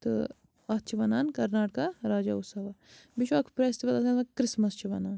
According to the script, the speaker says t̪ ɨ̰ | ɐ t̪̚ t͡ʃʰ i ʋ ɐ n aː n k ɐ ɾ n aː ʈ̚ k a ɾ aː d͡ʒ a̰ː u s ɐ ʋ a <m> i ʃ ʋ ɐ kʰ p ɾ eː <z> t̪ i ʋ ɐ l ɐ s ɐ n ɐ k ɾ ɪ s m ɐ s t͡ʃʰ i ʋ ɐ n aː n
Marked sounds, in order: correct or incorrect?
incorrect, incorrect

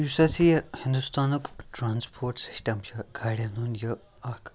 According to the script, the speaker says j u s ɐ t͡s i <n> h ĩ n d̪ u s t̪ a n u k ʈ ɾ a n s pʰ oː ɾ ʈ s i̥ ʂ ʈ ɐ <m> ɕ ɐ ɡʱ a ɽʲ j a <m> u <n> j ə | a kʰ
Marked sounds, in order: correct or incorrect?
incorrect, correct, incorrect, correct

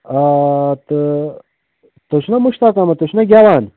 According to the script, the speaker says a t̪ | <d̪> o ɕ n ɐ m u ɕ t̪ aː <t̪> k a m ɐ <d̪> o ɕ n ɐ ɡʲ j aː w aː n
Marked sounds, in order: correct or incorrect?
incorrect, incorrect, incorrect

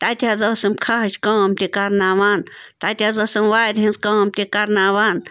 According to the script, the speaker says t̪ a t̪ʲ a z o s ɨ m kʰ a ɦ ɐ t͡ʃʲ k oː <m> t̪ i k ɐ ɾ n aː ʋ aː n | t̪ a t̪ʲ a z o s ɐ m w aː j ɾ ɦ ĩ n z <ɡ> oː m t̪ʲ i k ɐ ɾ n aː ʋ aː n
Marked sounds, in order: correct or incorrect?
correct, incorrect

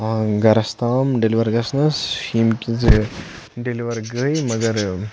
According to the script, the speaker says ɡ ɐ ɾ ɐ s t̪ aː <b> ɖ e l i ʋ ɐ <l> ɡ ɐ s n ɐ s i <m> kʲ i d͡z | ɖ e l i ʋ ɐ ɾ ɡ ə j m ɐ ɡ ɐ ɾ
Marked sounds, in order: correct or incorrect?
incorrect, incorrect, correct

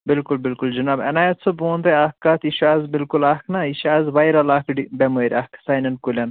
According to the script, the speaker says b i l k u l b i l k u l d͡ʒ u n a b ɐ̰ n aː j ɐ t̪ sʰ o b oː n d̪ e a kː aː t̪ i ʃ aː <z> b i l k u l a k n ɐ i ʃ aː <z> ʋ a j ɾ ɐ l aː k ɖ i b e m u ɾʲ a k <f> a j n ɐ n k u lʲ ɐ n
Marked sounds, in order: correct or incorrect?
correct, correct, incorrect

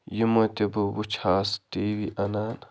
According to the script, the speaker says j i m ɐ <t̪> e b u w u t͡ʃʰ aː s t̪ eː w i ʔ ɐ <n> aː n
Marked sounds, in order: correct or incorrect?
correct, correct

